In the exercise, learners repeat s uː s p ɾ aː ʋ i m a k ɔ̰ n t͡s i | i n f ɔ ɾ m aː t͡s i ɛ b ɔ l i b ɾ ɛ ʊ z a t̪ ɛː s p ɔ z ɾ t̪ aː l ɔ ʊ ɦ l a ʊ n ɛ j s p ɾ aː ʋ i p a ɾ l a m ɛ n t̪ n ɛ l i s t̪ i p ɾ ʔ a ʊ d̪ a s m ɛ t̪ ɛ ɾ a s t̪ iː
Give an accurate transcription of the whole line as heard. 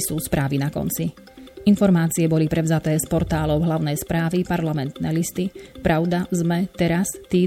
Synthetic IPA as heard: s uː s p ɾ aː ʋ i n a k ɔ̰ n t͡s i | i n f ɔ ɾ m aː t͡s i ɛ b ɔ l i p ɾ ɛ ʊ z a t̪ ɛː s p ɔ ɾ t̪ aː l ɔ ʊ ɦ l a ʊ n ɛ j s p ɾ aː ʋ i p a ɾ l a m ɛ n t̪ n ɛ l i s t̪ i p ɾ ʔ a ʊ d̪ a z m ɛ t̪ ɛ ɾ a s t̪ iː